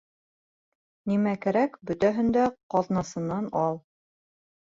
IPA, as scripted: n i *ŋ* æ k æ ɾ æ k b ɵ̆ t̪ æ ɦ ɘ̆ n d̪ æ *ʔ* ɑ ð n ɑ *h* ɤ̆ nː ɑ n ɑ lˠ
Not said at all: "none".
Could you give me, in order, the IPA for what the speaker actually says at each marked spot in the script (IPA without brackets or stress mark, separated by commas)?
m, q, s